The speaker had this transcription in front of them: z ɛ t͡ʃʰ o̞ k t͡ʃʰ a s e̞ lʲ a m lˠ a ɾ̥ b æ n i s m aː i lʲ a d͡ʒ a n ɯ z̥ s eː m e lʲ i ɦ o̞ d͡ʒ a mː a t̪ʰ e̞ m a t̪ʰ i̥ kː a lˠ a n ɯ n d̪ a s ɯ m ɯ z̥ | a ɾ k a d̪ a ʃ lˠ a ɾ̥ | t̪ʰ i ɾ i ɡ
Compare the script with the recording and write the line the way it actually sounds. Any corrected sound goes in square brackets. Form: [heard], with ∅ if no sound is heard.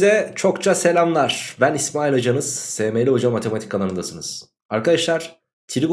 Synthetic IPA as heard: z ɛ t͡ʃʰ o̞ k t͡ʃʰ a s e̞ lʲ a m lˠ a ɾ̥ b æ n i s m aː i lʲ a d͡ʒ a n ɯ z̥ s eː m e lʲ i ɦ o̞ d͡ʒ a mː a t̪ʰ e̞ m a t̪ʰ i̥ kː a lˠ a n ɯ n d̪ a s ɯ [n] ɯ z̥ | a ɾ k a d̪ a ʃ lˠ a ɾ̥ | t̪ʰ i ɾ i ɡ

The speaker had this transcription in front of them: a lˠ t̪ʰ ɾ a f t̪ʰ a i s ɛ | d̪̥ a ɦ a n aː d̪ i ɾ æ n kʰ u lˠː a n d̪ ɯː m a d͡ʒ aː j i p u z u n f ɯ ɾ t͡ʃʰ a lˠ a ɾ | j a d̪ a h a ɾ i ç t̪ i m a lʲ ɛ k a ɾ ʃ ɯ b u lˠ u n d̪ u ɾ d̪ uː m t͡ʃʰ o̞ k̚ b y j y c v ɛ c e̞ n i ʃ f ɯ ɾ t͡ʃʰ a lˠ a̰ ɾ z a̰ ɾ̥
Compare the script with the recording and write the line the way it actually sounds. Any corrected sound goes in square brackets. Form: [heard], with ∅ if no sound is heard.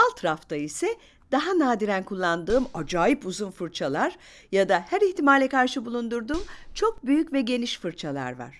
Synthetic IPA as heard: a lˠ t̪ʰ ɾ a f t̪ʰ a i s ɛ | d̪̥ a ɦ a n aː d̪ i ɾ æ n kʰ u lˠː a n d̪ ɯː m a d͡ʒ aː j i p u z u n f ɯ ɾ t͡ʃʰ a lˠ a ɾ | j a d̪ a h [æ] ɾ i ç t̪ i m a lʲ ɛ k a ɾ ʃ ɯ b u lˠ u n d̪ u ɾ d̪ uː m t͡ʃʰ o̞ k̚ b y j y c v ɛ [ɟ] e̞ n i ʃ f ɯ ɾ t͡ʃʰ a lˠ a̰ ɾ [v] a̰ ɾ̥

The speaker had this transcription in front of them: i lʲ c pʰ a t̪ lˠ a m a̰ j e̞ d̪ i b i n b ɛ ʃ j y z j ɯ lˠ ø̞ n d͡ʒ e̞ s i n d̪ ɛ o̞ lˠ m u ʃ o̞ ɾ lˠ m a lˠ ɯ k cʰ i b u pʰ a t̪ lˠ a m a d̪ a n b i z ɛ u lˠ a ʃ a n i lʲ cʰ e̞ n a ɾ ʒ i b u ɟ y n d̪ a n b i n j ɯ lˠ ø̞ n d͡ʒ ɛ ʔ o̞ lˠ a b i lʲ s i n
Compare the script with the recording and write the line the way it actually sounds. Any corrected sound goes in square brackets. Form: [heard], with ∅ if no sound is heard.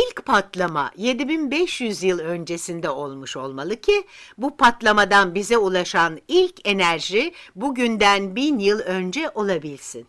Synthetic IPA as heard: i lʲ c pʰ a t̪ lˠ a m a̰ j e̞ d̪ i b i n b ɛ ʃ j y z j ɯ lˠ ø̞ n d͡ʒ e̞ s i n d̪ ɛ o̞ lˠ m u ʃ o̞ [∅] lˠ m a lˠ ɯ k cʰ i b u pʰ a t̪ lˠ a m a d̪ a n b i z ɛ u lˠ a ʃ a n i lʲ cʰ e̞ n [æ] ɾ ʒ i b u ɟ y n d̪ [æ] n b i n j ɯ lˠ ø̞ n d͡ʒ ɛ ʔ o̞ lˠ a b i lʲ s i n

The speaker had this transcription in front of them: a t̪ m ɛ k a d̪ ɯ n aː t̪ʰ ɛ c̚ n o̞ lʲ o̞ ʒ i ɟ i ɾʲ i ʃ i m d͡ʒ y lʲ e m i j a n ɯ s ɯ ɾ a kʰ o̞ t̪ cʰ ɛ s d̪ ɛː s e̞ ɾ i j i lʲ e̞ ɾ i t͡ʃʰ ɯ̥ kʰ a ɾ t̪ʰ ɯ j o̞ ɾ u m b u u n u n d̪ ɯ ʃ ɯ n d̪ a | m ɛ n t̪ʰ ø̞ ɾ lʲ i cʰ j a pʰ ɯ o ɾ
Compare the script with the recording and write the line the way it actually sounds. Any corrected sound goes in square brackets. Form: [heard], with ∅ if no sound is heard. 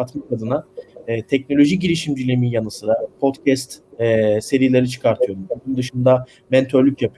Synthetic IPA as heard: a t̪ m [a] k a d̪ ɯ n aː t̪ʰ ɛ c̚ n o̞ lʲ o̞ ʒ i ɟ i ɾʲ i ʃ i m d͡ʒ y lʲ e m i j a n ɯ s ɯ ɾ a [pʰ] o̞ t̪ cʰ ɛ s [t̪] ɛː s e̞ ɾ i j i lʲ e̞ ɾ i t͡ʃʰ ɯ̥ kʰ a ɾ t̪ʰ ɯ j o̞ ɾ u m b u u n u n d̪ ɯ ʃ ɯ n d̪ a | m ɛ n t̪ʰ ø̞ ɾ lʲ [y] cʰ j a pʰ ɯ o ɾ

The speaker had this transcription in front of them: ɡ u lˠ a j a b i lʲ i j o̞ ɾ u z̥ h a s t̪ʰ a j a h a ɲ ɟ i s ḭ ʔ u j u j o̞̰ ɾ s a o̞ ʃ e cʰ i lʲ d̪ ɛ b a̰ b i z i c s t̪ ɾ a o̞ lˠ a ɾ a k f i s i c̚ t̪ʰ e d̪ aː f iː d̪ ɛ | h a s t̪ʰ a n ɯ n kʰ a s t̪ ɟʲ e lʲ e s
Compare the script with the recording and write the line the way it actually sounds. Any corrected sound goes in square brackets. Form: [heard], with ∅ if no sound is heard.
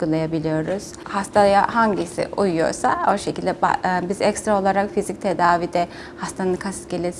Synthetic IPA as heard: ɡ u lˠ a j a b i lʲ i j o̞ ɾ u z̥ h a s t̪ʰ a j a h a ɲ ɟ i s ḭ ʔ u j u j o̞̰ ɾ s a o̞ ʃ e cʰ i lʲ d̪ ɛ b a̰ b i z [ɛ] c s t̪ ɾ a o̞ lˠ a ɾ a k f i [z] i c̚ t̪ʰ e d̪ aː [v] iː d̪ ɛ | h a s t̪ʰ a n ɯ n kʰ a s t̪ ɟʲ e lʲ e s

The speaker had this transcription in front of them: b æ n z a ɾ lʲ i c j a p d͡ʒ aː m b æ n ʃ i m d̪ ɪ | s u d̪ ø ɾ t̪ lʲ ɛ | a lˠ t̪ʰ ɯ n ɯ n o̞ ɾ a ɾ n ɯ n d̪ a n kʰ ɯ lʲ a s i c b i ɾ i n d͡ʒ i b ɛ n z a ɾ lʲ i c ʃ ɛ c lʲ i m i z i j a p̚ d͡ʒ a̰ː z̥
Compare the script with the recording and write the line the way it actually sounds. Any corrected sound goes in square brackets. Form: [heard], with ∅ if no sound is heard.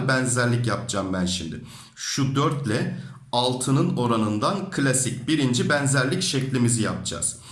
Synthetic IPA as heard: b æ n z [æ] ɾ lʲ i c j a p d͡ʒ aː m b æ n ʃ i m d̪ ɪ | [ʃ] u d̪ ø ɾ t̪ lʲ ɛ | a lˠ t̪ʰ ɯ n ɯ n o̞ ɾ a [∅] n ɯ n d̪ a n kʰ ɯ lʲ a s i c b i ɾ i n d͡ʒ i b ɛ n z [æ] ɾ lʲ i c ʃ ɛ c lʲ i m i z i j a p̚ d͡ʒ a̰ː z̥

